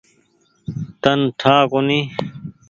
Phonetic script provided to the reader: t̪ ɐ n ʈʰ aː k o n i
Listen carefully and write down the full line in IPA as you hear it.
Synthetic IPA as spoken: t̪ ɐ n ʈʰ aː k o n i